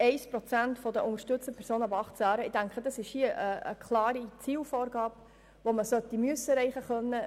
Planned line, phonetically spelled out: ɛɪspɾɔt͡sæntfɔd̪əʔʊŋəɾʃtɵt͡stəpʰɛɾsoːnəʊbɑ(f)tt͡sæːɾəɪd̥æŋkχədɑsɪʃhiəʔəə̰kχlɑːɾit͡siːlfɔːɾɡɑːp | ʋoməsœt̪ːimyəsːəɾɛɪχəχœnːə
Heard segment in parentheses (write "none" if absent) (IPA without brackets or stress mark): χ